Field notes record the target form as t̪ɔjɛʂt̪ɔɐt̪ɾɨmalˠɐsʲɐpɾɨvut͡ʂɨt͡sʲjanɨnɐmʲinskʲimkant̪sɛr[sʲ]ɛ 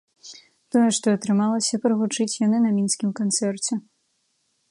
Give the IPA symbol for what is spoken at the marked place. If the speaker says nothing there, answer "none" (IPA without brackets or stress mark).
t͡sʲ